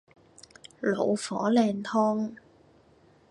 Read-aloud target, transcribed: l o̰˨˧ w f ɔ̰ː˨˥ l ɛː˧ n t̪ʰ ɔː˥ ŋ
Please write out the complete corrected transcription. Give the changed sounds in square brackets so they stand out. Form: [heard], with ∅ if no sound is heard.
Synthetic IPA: l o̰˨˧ w f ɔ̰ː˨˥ l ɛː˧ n t̪ʰ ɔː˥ ŋ